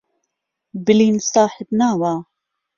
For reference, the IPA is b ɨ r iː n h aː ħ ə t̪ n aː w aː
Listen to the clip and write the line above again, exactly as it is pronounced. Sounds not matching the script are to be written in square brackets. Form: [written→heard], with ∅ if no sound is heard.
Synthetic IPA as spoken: b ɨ [r→l] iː n [h→s] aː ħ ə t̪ n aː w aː